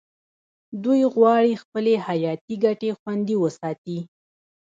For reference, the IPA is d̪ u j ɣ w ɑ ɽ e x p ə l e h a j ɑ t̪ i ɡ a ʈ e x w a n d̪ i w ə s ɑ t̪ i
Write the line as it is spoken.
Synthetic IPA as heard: d̪ u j ɣ w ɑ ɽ i x p ə l e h a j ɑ t̪ i ɡ a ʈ e x w a n d̪ i w ə s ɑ t̪ i